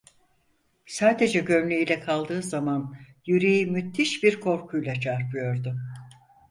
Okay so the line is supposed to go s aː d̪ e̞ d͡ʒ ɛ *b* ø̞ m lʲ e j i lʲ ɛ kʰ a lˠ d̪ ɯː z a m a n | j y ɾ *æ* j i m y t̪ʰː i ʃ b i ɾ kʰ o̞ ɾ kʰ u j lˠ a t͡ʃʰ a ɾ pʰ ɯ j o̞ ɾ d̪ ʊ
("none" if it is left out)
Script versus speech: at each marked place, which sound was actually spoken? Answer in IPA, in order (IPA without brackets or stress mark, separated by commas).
ɟ, e